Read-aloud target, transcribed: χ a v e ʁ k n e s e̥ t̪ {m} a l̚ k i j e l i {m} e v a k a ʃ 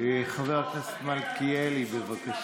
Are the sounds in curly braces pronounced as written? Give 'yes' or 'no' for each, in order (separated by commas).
yes, no